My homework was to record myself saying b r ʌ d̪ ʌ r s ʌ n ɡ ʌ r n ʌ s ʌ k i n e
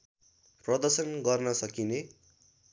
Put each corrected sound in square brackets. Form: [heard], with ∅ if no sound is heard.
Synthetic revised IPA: [p] r ʌ d̪ ʌ r s ʌ n ɡ ʌ r n ʌ s ʌ k i n e

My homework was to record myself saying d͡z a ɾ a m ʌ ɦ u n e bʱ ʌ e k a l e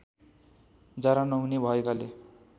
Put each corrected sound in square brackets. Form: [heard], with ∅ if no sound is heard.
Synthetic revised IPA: d͡z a ɾ a [n] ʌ ɦ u n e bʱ ʌ e k a l e

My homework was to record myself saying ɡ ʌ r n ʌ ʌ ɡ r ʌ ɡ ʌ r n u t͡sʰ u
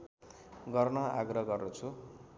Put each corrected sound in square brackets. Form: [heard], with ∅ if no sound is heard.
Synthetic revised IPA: ɡ ʌ r n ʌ [a] ɡ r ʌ ɡ ʌ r n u t͡sʰ u

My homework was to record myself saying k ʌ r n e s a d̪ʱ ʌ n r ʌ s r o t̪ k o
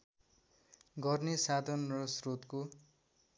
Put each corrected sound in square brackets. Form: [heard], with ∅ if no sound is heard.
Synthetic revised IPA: [ɡ] ʌ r n e s a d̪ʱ ʌ n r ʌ s r o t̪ k o

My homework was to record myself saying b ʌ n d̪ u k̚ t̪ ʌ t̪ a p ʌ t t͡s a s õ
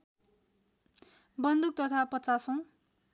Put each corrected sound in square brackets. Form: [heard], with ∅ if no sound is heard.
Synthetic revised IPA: b ʌ n d̪ u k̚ t̪ ʌ [t̪ʰ] a p ʌ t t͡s a s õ

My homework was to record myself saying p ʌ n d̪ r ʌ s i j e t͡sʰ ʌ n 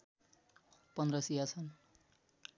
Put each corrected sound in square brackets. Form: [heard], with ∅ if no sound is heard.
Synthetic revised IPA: p ʌ n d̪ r ʌ s i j [a] t͡sʰ ʌ n

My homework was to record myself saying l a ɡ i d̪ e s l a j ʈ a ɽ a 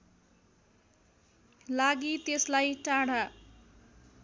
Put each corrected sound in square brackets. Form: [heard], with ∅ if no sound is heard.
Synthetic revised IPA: l a ɡ i [t̪] e s l a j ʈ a ɽ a

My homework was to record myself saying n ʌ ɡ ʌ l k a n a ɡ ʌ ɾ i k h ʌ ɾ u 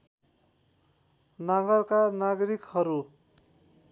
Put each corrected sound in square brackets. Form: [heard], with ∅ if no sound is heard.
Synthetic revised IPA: n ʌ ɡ ʌ [r] k a n a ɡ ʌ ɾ i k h ʌ ɾ u

